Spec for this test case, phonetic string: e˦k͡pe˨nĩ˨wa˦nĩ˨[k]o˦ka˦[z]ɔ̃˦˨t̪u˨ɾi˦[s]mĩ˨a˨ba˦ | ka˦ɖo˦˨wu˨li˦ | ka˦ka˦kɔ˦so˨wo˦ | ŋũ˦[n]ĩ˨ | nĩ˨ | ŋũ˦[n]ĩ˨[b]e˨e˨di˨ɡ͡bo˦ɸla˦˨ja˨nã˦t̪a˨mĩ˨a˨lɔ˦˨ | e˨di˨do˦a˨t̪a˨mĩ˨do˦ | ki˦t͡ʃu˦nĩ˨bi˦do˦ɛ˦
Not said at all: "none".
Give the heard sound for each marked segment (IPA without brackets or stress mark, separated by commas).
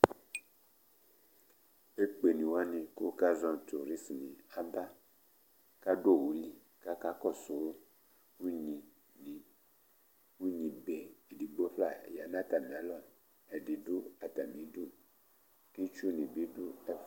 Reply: k, z, s, ɲ, ɲ, b